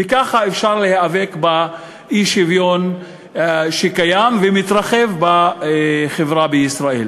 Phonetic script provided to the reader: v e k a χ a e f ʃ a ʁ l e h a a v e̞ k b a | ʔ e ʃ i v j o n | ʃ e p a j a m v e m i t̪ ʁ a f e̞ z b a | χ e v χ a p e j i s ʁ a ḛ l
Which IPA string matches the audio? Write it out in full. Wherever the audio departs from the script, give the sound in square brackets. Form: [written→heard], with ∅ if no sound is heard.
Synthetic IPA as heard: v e k a χ a e f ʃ a ʁ l e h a a v e̞ k b a | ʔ [e→i] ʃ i v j o n | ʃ e [p→k] a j a m v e m i t̪ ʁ a [f→χ] e̞ [z→v] b a | χ e v [χ→ʁ] a [p→b] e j i s ʁ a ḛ l